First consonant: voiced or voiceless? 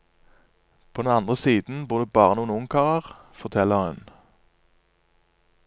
voiceless